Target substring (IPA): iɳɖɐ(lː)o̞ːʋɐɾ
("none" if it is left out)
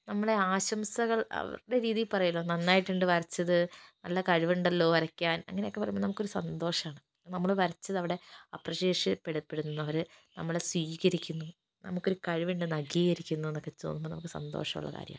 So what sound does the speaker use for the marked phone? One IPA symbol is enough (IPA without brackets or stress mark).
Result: lː